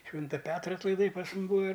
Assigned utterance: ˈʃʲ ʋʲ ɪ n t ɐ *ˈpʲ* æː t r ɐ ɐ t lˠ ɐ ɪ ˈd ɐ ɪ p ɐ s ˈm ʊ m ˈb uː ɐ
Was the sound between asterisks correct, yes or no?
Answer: yes